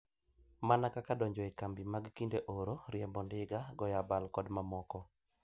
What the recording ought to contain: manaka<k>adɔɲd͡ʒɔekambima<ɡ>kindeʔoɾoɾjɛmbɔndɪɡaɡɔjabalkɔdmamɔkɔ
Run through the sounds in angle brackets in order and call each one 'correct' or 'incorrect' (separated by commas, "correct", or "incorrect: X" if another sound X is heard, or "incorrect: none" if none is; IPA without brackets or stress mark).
correct, correct